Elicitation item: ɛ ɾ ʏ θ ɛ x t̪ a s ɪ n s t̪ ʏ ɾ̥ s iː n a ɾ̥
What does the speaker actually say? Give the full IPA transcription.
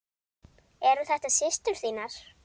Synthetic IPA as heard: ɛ ɾ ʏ θ ɛ h t̪ a s ɪ s t̪ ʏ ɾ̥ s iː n a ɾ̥

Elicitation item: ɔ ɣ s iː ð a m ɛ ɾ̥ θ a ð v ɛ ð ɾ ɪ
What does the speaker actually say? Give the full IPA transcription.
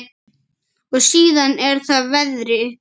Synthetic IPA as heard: ɔ ɣ s iː ð a n ɛ ɾ̥ θ a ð v ɛ ð ɾ ɪ

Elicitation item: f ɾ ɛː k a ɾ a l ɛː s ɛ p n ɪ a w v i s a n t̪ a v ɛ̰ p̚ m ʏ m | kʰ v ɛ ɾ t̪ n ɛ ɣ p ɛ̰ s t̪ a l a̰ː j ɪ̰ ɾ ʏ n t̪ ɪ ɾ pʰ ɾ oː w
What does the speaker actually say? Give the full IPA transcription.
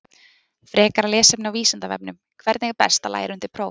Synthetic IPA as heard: f ɾ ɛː k a ɾ a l ɛː s ɛ p n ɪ a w v iː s a n t̪ a v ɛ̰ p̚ n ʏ m | kʰ v ɛ ɾ t̪ n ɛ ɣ p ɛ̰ s t̪ a l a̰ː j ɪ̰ ɾ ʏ n t̪ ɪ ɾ pʰ ɾ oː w

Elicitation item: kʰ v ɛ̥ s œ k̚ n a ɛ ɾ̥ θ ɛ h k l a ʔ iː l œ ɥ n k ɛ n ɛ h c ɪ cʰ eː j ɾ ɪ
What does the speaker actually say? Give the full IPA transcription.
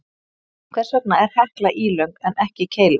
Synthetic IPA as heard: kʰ v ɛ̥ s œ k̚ n a ɛ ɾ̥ h ɛ h k l a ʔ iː l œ ɥ ŋ k ɛ n ɛ h c ɪ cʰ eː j l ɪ

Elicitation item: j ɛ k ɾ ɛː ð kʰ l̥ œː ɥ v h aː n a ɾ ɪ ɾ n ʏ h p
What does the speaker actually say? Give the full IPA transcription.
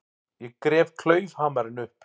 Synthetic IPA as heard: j ɛ k ɾ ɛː v kʰ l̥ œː ɥ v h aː m a ɾ ɪ n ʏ h p

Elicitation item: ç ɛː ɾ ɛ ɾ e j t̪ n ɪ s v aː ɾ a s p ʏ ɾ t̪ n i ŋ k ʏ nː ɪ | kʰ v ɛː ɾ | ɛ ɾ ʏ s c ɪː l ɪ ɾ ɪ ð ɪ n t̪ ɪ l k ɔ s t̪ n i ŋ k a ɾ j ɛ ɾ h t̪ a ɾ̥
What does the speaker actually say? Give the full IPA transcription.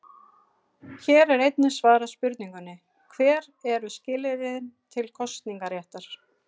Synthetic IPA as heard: ç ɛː ɾ ɛ ɾ e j t̪ n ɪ s v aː ɾ a s p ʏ ɾ t̪ n i ŋ k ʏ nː ɪ | kʰ v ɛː ɾ | ɛ ɾ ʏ s c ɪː l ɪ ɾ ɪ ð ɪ n t̪ʰ ɪ l kʰ ɔ s t̪ n i ŋ k a ɾ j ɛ h t̪ a ɾ̥

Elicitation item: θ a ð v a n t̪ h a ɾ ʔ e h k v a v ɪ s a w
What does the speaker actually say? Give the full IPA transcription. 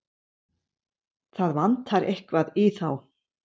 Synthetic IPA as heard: θ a ð v a n t̪ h a ɾ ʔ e h k v a ð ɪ θ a w

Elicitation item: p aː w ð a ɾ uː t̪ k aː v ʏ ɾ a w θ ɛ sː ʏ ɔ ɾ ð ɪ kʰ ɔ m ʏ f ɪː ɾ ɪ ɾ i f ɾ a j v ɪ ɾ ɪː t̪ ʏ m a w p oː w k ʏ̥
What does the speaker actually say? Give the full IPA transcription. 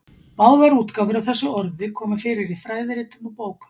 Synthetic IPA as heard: p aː w ð a ɾ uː t̪ k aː v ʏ ɾ a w θ ɛ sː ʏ ɔ ɾ ð ɪ kʰ ɔː m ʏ f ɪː ɾ ɪ ɾ i f ɾ a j ð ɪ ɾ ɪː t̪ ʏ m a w p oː w k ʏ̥

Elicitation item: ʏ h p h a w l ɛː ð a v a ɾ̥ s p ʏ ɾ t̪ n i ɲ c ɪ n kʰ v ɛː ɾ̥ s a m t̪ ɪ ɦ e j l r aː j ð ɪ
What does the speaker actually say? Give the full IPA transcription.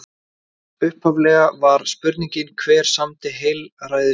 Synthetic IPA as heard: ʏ h p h a v l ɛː ɣ a v a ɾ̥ s p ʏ ɾ t̪ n i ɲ c ɪ n kʰ v ɛː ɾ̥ s a m t̪ ɪ ɦ e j l r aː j ð ɪ

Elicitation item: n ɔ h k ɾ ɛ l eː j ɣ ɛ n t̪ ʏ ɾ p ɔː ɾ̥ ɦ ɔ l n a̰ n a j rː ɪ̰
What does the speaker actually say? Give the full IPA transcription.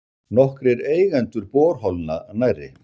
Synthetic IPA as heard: n ɔ h k ɾ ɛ ɾ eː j ɣ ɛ n t̪ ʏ ɾ p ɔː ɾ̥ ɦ ɔ l n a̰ n a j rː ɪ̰

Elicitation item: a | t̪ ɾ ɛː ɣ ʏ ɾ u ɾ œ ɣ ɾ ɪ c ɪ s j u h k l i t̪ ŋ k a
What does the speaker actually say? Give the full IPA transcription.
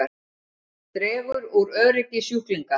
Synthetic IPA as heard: a | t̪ ɾ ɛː v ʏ ɾ u ɾ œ ð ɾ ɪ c ɪ s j u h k l i ŋ k a

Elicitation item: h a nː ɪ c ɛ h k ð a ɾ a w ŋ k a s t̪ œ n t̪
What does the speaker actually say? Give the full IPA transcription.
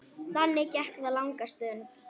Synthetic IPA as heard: θ a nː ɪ c ɛ h k ð a l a w ŋ k a s t̪ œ n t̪

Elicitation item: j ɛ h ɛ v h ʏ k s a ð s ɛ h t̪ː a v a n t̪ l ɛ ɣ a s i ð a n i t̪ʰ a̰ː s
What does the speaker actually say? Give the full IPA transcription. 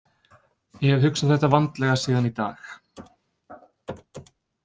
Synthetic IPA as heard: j ɛ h ɛ v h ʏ k s a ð θ ɛ h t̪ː a v a n t̪ l ɛ ɣ a s iː ð a n i t̪ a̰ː x

